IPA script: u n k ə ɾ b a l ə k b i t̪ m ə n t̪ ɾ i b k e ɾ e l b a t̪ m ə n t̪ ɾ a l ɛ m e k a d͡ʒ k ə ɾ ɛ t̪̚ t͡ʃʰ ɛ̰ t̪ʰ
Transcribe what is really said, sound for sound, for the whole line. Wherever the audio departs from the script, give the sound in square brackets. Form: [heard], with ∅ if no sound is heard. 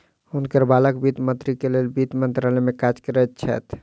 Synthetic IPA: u n k ə ɾ b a l ə k b i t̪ m ə n t̪ ɾ i [∅] k e [l] e l b [i] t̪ m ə n t̪ ɾ a l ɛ m e k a d͡ʒ k ə ɾ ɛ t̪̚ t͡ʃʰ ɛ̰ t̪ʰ